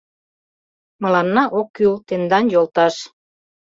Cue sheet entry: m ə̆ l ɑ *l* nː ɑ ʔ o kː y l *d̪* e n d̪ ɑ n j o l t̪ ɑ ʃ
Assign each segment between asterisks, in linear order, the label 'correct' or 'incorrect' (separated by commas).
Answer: incorrect, incorrect